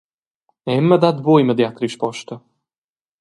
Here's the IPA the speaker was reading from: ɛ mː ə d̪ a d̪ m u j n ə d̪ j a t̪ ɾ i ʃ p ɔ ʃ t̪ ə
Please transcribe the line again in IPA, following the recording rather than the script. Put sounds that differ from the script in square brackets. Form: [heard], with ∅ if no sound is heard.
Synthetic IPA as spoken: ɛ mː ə d̪ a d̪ [b] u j [m] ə d̪ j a t̪ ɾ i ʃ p ɔ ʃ t̪ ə